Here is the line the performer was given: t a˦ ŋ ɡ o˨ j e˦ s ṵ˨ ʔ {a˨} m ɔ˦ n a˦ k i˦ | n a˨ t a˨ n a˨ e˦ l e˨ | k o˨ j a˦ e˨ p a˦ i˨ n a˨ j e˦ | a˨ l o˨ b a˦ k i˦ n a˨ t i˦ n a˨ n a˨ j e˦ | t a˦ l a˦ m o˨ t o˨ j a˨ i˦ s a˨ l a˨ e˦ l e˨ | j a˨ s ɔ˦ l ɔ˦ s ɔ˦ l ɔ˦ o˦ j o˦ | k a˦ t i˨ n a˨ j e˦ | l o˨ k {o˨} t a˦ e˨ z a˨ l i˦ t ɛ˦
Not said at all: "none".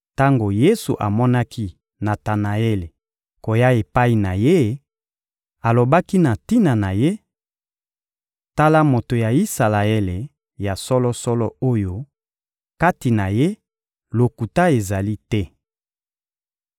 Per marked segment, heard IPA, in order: a˨, u˨

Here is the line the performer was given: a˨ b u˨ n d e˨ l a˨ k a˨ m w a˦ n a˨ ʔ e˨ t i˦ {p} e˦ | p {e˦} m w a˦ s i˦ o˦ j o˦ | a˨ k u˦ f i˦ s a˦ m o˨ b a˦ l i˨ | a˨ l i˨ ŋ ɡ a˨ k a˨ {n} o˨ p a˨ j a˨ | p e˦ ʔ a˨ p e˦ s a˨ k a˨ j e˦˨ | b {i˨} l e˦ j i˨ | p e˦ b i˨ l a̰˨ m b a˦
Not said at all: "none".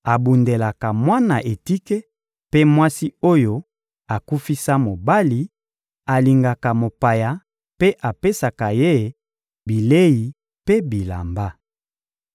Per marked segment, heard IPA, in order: k, e˦, m, i˨

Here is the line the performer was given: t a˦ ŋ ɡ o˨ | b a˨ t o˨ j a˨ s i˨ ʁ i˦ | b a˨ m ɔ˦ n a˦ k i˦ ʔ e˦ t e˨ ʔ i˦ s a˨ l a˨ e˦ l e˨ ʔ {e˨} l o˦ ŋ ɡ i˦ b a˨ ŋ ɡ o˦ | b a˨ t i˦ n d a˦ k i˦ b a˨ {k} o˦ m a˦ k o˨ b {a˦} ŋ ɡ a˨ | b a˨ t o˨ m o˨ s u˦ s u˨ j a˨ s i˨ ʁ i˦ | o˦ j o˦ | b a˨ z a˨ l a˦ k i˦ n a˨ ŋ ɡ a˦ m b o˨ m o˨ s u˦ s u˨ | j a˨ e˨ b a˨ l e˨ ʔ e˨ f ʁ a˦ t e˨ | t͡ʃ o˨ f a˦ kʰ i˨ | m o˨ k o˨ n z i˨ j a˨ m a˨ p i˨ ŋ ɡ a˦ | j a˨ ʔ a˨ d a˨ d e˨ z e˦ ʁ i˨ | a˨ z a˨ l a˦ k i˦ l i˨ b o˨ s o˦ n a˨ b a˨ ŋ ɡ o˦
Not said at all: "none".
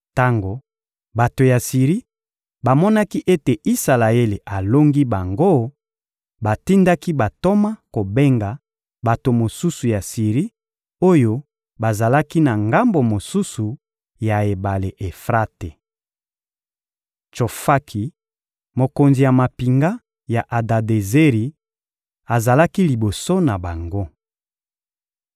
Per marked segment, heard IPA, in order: a˨, t, e˦

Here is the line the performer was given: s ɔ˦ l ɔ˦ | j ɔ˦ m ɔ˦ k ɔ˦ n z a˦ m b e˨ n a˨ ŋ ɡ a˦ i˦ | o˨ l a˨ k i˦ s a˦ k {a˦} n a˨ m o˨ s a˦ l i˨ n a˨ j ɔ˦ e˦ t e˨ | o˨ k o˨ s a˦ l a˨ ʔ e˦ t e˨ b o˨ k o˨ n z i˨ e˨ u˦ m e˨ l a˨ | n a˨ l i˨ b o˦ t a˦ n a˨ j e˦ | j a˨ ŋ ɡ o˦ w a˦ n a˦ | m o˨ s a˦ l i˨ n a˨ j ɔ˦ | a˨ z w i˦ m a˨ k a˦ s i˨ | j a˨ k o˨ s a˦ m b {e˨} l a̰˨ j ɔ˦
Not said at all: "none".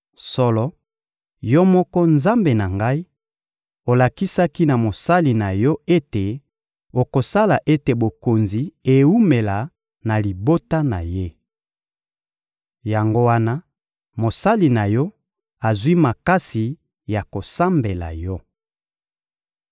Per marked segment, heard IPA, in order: i˦, e˨

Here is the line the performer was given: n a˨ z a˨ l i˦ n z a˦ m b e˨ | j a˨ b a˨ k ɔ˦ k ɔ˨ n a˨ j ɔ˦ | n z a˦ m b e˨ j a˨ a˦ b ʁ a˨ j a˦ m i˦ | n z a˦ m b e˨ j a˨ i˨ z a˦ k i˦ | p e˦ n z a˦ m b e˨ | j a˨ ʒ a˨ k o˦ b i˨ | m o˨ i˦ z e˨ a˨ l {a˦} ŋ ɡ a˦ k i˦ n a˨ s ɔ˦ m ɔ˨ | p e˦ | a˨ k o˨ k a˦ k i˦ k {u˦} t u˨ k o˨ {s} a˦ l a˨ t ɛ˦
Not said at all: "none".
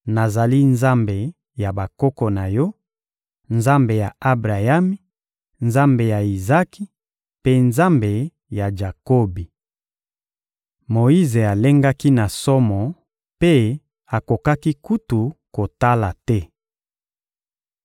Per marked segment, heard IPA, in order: e˦, u˦, t

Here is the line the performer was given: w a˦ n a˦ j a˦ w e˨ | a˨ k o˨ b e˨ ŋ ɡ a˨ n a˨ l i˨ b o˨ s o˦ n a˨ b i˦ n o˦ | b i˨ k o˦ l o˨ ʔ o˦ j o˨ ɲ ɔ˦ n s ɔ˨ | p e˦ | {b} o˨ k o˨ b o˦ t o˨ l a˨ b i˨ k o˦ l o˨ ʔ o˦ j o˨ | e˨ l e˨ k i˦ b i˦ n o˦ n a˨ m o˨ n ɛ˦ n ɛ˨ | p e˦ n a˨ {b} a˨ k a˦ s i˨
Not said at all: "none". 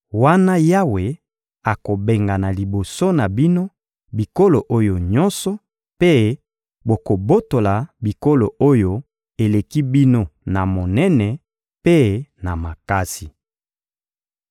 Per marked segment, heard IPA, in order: b, m

